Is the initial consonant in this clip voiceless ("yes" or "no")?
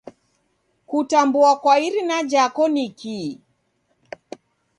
yes